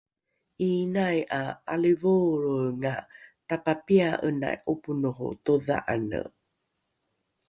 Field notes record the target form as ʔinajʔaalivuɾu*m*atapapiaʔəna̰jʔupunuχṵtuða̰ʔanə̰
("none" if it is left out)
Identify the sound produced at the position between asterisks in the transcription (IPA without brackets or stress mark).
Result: ŋ